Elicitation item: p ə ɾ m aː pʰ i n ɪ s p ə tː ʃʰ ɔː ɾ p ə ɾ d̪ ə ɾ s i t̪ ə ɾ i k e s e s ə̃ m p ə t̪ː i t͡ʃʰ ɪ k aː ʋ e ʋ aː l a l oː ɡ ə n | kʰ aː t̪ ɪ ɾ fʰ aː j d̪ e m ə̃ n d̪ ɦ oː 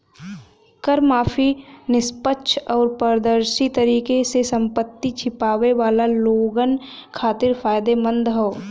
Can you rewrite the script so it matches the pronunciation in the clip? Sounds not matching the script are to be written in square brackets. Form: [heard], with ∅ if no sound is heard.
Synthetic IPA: [k] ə ɾ m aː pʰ i n ɪ s p ə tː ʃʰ ɔː ɾ p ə ɾ d̪ ə ɾ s i t̪ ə ɾ [iː] k e s e s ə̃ m p ə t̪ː i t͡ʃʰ ɪ [p] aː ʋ e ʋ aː l a l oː ɡ ə n | kʰ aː t̪ ɪ ɾ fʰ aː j d̪ e m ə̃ n d̪ ɦ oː